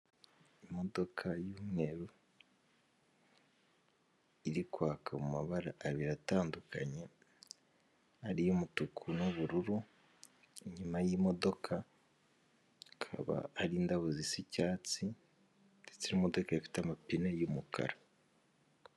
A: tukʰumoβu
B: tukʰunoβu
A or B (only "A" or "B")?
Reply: B